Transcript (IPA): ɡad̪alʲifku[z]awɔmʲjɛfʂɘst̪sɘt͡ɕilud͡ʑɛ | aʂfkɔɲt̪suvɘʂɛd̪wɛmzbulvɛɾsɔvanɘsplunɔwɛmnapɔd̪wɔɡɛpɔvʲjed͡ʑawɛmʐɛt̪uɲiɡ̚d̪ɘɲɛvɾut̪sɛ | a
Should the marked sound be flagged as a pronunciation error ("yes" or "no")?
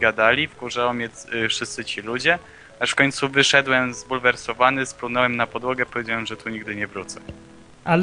yes